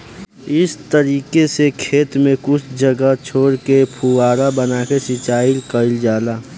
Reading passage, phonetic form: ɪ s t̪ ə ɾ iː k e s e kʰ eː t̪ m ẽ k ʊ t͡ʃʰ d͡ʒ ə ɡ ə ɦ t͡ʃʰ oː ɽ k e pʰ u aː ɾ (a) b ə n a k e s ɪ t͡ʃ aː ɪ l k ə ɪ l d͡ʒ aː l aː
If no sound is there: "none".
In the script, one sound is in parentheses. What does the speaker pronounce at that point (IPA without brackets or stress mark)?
a